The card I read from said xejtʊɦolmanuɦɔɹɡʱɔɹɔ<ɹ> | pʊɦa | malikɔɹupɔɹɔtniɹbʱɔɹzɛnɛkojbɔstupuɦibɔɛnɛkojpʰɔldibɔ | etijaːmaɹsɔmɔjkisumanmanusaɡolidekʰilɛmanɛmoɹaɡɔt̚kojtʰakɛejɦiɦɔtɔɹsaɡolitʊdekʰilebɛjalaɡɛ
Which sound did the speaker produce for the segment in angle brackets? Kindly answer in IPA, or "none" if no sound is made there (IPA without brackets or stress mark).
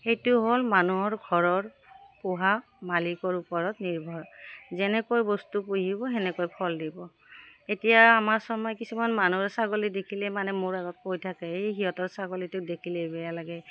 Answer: ɹ